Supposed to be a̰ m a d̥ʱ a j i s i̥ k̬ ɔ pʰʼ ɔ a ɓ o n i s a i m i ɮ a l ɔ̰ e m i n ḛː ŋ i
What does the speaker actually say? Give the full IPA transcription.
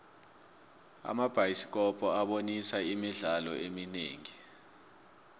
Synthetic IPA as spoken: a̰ m a b̥ʱ a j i s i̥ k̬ ɔ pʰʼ ɔ a ɓ o n i s a i m i ɮ a l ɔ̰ e m i n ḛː ŋ i